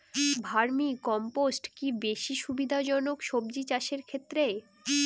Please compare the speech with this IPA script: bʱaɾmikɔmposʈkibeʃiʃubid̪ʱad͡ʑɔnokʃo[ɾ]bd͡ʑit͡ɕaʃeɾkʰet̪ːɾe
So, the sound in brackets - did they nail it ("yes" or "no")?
no